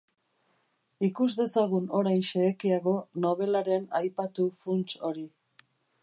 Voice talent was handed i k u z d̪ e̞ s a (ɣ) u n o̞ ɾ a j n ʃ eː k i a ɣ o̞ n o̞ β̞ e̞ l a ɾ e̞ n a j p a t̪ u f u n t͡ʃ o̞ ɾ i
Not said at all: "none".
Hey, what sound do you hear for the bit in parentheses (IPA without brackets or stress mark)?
ɣ